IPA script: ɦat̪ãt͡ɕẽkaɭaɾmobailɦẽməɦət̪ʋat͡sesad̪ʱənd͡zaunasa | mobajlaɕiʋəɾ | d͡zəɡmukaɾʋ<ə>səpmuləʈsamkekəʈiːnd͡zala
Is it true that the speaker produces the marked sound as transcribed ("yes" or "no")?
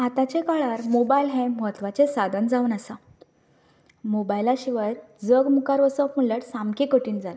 yes